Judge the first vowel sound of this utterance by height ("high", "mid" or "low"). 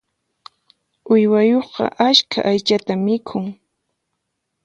high